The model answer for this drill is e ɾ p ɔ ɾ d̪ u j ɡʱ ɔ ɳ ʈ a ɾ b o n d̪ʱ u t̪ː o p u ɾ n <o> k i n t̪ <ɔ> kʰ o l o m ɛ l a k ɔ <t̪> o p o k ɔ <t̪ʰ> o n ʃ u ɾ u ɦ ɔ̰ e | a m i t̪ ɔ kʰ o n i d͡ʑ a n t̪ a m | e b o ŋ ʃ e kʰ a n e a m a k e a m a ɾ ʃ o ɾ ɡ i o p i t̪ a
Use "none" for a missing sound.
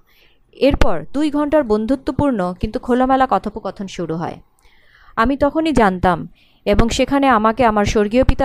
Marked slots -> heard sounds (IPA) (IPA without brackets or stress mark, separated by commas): o, u, t̪ʰ, t̪ʰ